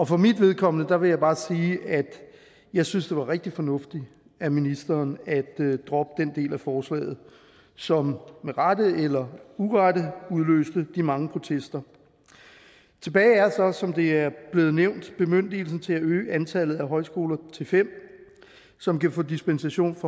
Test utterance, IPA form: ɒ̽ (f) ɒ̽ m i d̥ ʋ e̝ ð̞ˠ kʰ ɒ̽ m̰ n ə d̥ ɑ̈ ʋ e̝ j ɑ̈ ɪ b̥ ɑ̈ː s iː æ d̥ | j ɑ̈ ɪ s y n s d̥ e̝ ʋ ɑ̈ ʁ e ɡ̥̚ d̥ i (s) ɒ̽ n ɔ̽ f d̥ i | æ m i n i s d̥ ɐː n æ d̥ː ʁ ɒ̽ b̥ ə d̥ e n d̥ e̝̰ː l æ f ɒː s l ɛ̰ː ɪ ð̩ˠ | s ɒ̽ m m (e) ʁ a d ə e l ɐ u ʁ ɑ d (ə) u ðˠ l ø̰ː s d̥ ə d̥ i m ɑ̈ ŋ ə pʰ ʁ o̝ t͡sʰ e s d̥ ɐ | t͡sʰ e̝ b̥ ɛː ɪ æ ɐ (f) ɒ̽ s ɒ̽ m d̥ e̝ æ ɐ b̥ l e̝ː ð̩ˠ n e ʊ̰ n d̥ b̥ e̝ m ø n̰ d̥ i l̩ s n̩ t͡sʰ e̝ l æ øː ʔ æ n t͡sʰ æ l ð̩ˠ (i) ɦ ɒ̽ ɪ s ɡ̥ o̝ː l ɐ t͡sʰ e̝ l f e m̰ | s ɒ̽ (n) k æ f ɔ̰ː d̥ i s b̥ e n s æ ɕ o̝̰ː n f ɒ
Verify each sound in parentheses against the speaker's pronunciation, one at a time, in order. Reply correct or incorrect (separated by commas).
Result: correct, incorrect, correct, correct, incorrect, incorrect, incorrect